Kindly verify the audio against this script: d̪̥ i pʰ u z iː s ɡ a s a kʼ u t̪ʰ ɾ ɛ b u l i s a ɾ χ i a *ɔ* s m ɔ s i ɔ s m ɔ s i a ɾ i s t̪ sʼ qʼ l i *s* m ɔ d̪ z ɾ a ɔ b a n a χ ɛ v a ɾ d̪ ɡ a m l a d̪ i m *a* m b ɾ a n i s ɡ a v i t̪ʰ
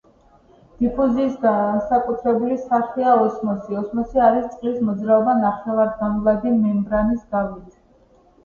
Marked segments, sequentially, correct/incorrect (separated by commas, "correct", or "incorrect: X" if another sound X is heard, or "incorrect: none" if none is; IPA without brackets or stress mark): correct, correct, incorrect: ɛ